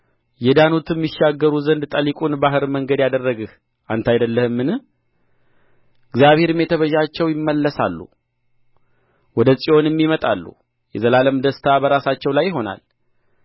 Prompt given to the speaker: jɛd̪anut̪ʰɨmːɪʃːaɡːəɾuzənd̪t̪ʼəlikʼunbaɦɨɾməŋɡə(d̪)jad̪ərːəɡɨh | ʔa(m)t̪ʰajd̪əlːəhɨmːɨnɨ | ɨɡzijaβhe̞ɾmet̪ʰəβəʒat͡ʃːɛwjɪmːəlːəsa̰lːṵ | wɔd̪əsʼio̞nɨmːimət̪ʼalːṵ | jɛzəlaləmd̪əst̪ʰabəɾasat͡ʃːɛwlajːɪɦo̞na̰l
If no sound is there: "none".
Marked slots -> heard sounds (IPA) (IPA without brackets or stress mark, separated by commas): d̪, n